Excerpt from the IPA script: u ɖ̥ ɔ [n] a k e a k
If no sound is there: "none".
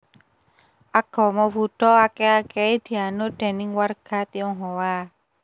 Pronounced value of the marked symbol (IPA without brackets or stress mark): none